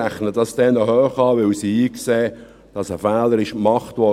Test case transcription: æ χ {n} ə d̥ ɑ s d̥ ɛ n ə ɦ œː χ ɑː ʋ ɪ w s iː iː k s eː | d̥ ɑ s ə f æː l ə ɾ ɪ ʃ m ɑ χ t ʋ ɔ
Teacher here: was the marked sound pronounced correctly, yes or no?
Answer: yes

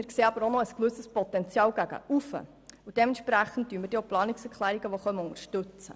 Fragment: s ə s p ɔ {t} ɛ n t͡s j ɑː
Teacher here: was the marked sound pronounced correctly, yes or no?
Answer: yes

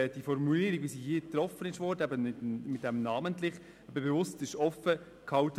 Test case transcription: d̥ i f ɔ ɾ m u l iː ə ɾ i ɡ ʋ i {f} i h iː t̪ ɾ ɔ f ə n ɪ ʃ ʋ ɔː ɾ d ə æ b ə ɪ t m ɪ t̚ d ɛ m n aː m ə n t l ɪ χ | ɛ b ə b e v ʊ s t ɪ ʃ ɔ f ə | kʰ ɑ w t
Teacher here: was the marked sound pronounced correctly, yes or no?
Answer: no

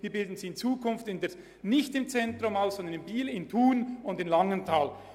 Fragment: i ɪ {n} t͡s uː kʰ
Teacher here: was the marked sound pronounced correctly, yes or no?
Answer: yes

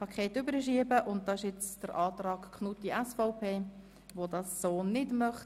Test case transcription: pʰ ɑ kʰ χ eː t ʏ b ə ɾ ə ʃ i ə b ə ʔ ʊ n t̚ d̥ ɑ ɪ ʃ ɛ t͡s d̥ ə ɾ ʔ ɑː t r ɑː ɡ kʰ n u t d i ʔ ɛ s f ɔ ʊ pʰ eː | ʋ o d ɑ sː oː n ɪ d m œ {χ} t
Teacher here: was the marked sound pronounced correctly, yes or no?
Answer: yes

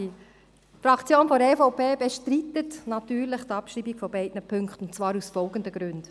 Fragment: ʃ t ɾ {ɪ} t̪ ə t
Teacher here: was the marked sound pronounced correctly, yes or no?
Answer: no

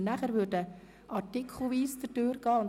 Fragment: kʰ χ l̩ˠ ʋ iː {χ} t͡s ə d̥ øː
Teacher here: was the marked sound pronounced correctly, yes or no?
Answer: no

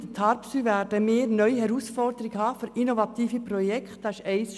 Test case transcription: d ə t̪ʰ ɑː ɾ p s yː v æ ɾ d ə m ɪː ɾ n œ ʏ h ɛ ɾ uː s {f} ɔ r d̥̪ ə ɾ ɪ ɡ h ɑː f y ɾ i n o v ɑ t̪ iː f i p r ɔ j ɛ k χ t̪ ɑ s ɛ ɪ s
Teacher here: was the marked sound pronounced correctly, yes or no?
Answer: yes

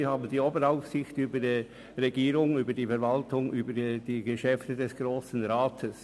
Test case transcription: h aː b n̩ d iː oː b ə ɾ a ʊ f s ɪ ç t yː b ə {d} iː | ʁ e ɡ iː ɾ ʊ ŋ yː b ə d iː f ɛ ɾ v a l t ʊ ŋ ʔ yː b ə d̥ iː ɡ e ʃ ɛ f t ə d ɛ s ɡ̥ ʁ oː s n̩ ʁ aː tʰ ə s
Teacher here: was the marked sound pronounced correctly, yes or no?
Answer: yes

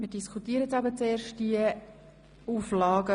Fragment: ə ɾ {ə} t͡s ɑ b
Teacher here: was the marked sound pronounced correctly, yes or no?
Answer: yes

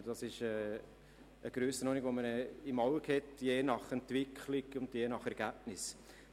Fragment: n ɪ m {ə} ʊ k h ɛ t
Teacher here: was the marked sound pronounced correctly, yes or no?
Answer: no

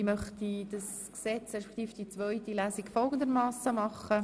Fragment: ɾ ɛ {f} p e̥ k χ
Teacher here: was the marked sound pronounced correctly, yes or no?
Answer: no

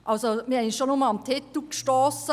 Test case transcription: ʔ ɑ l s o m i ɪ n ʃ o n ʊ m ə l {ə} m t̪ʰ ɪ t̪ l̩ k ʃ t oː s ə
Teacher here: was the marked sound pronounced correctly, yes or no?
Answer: no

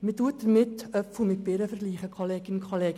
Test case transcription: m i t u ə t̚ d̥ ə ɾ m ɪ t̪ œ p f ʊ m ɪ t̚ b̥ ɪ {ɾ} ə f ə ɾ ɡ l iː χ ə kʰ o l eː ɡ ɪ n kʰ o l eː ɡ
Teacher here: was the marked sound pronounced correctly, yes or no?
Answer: yes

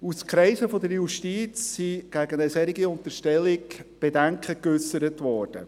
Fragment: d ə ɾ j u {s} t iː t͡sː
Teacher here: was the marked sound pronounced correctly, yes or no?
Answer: no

